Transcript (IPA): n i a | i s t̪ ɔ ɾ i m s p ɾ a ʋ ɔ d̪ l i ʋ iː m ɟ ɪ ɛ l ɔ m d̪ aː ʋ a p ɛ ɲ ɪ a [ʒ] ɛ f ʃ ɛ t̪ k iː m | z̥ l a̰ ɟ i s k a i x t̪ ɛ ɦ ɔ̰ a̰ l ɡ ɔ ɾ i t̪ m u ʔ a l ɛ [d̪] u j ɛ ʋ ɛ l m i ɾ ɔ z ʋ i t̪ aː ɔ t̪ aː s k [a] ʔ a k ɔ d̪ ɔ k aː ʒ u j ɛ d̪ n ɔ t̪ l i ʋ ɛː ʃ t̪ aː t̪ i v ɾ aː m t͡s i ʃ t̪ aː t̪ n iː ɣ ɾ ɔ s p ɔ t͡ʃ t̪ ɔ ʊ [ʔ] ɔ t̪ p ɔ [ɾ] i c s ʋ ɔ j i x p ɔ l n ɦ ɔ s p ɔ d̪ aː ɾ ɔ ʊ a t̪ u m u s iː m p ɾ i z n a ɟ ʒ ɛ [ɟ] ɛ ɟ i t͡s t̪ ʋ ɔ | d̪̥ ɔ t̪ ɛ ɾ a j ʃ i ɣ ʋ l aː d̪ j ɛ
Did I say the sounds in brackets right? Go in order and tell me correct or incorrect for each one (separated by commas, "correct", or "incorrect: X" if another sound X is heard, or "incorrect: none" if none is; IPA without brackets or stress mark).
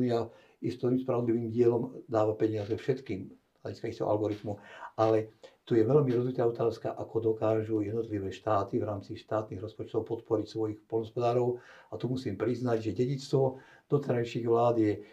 incorrect: z, incorrect: t̪, correct, incorrect: p, correct, correct